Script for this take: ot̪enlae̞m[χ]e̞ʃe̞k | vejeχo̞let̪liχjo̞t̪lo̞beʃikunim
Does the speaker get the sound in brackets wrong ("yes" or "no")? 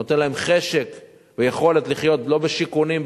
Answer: no